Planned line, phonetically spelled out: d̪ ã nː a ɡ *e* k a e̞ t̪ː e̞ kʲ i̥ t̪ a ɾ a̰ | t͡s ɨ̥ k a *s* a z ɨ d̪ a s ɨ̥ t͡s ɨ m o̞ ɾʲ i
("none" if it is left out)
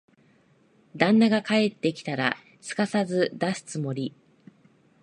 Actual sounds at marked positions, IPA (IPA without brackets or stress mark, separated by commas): a, s